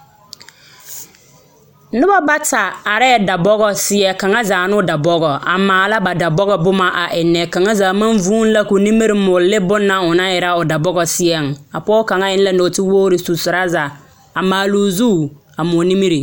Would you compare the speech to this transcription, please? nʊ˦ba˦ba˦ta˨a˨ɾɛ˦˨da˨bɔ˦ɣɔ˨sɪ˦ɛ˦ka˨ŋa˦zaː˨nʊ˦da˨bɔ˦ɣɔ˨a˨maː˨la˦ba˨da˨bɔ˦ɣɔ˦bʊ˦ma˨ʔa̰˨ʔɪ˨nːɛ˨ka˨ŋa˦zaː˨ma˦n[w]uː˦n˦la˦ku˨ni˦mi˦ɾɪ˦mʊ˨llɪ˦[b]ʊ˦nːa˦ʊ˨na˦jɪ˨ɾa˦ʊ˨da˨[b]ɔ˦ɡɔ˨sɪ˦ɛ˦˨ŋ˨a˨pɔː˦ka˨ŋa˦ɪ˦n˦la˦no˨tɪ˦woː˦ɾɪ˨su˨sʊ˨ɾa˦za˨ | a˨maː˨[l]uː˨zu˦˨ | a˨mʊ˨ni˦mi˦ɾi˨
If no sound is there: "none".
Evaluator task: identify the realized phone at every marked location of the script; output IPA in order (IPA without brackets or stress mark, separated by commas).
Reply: v, b, b, l